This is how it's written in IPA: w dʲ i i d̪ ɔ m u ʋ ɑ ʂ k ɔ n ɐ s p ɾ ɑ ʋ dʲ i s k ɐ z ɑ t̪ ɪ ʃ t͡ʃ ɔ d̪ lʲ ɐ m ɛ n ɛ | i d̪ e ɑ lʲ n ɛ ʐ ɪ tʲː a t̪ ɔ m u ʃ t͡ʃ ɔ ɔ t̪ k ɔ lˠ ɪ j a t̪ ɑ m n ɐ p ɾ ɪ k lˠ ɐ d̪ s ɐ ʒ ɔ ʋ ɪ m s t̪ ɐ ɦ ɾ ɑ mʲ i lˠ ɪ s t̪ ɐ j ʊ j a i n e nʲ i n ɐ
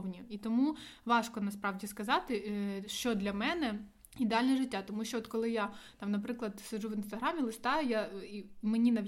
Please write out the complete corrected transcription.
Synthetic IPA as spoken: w nʲ i i t̪ ɔ m u ʋ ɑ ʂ k ɔ n ɐ s p ɾ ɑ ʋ dʲ i s k ɐ z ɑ t̪ ɪ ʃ t͡ʃ ɔ d̪ lʲ ɐ m ɛ n ɛ | i d̪ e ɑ lʲ n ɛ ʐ ɪ tʲː a t̪ ɔ m u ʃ t͡ʃ ɔ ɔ t̪ k ɔ lˠ ɪ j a t̪ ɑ m n ɐ p ɾ ɪ k lˠ ɐ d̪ s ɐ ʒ u ʋ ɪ n s t̪ ɐ ɦ ɾ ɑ mʲ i lˠ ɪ s t̪ ɑ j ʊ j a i m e nʲ i n ɐ